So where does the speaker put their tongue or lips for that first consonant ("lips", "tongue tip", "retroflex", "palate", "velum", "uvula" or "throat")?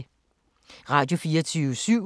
uvula